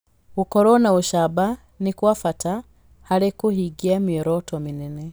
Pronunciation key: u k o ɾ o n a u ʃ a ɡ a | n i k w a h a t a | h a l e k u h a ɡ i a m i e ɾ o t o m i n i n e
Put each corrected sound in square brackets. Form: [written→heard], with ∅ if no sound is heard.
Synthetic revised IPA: u k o ɾ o n a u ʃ a [ɡ→b] a | n i k w a [h→f] a t a | h a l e k u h [a→i] ɡ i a m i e ɾ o t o m i n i n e